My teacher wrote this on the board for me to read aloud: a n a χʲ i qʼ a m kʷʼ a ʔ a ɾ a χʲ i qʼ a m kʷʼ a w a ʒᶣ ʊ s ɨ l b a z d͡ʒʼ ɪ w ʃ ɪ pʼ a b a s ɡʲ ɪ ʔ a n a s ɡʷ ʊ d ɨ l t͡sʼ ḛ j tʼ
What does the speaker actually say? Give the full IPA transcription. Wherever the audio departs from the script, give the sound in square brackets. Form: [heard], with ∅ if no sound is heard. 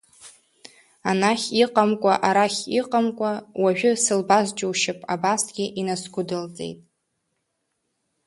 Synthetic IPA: a n a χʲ i qʼ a m kʷʼ a ʔ a ɾ a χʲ i qʼ a m kʷʼ a w a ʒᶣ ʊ s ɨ l b a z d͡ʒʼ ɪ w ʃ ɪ pʼ a b a s ɡʲ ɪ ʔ [i] n a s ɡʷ ʊ d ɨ l t͡sʼ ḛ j tʼ